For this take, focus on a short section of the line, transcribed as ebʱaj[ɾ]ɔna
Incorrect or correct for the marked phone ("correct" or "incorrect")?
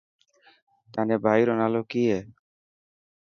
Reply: correct